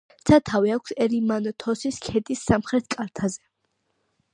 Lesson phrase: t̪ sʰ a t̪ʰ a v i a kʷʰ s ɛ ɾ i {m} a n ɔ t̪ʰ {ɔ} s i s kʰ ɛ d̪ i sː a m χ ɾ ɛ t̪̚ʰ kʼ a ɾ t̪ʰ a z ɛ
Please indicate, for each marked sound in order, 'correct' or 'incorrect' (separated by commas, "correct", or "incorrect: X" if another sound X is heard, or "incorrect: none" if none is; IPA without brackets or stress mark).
correct, correct